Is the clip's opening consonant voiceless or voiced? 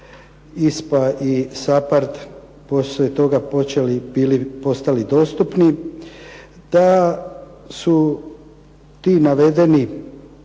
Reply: voiceless